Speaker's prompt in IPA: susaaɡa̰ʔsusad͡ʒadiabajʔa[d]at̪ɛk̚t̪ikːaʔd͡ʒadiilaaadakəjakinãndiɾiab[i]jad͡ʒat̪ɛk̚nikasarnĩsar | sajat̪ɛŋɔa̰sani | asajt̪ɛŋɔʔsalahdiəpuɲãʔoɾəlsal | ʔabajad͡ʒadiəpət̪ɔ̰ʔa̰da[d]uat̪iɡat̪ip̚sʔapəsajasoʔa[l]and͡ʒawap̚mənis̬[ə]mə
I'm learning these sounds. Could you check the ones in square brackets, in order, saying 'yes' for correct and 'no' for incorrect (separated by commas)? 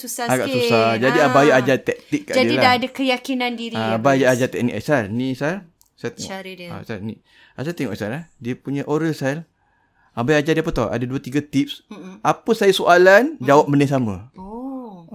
no, no, yes, yes, no